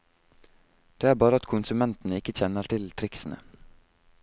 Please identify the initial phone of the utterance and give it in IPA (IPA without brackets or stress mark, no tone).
d̪̥